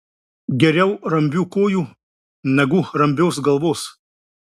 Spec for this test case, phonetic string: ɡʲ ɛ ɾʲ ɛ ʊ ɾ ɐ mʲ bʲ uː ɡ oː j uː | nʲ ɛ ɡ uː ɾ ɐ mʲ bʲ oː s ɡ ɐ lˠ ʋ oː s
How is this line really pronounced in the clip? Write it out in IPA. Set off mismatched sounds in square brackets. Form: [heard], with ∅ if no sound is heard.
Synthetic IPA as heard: ɡʲ ɛ ɾʲ ɛ ʊ ɾ ɐ mʲ bʲ uː [k] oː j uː | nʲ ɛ ɡ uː ɾ ɐ mʲ bʲ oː s ɡ ɐ lˠ ʋ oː s